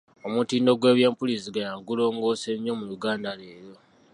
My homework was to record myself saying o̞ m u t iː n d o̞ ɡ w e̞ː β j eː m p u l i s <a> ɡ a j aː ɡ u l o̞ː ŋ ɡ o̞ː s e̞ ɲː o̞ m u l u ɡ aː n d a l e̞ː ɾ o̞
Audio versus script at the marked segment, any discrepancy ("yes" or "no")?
yes